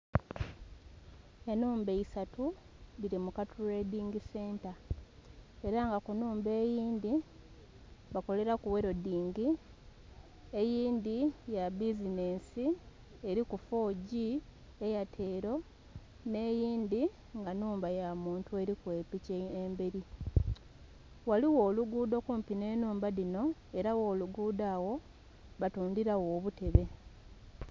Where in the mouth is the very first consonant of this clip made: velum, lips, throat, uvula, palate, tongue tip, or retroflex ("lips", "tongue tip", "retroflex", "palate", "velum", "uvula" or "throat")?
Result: tongue tip